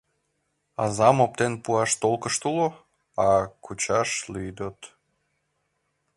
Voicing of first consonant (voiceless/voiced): voiced